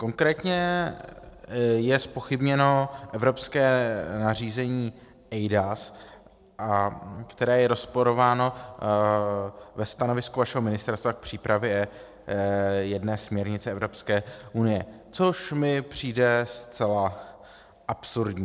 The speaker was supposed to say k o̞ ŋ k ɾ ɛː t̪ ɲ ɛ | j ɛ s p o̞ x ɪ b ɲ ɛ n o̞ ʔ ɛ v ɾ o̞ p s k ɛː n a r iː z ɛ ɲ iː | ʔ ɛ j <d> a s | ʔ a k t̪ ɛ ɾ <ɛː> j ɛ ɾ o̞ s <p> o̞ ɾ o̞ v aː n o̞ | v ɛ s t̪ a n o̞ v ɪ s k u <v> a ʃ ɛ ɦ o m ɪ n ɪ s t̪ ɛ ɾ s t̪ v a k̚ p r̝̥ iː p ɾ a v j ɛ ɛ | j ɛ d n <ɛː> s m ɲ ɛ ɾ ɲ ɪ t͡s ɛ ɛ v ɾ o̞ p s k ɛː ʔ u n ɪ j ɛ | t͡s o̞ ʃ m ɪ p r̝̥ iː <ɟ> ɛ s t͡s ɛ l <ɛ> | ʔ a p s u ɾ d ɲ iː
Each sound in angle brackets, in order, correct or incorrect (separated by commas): correct, correct, correct, correct, correct, incorrect, incorrect